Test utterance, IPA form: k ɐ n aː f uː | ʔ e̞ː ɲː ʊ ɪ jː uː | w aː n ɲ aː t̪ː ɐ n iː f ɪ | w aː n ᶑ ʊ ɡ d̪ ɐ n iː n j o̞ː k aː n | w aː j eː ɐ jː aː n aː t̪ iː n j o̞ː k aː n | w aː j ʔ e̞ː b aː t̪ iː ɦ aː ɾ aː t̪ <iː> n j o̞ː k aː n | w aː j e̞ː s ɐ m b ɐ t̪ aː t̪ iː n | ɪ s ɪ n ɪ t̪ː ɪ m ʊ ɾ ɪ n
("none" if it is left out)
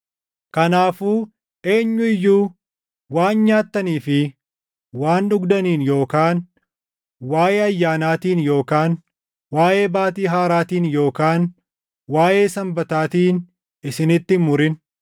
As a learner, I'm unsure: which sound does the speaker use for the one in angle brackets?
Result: iː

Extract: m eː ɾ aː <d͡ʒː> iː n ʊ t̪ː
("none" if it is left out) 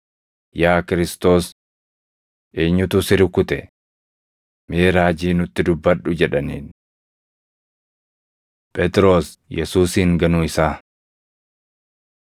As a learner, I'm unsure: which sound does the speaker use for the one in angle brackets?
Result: d͡ʒ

